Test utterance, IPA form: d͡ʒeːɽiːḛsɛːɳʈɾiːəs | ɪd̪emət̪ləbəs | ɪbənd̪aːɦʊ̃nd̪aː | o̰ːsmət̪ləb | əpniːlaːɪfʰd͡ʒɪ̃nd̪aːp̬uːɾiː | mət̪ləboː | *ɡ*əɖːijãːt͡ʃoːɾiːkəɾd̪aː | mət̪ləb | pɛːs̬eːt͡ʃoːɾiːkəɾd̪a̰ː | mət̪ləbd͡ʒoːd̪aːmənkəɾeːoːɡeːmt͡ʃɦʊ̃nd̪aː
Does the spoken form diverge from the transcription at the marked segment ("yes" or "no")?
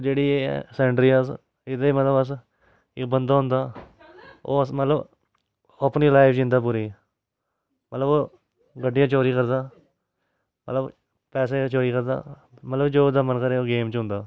no